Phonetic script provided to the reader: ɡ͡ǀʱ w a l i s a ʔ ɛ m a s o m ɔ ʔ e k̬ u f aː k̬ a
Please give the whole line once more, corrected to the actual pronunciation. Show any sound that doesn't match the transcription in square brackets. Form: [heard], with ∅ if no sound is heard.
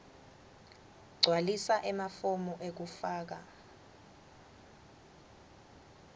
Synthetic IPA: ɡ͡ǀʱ w a l i s a ʔ ɛ m a [f] o m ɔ ʔ e k̬ u f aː k̬ a